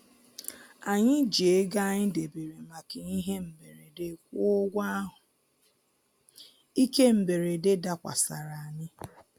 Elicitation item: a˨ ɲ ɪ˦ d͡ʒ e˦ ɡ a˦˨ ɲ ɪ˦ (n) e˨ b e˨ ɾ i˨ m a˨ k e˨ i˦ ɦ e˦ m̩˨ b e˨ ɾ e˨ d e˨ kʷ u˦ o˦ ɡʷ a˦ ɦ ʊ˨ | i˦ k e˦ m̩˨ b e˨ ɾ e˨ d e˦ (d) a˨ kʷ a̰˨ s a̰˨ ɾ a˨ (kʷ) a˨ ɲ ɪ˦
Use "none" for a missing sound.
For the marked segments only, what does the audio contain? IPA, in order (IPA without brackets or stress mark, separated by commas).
d, d, none